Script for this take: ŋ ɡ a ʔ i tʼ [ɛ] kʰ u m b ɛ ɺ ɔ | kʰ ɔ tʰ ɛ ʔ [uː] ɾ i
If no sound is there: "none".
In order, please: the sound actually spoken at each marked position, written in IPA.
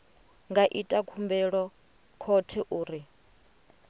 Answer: a, uː

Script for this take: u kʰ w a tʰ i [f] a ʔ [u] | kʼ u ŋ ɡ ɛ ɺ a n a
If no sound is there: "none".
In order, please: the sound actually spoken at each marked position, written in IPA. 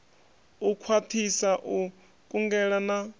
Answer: s, u

